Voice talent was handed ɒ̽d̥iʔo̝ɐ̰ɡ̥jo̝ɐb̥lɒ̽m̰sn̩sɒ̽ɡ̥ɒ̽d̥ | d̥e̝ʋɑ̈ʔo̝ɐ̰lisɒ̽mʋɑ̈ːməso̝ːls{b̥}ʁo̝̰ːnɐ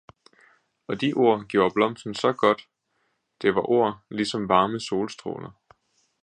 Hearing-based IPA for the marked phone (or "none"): d̥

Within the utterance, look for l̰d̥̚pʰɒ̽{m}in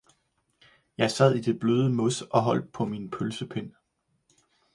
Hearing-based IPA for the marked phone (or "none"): m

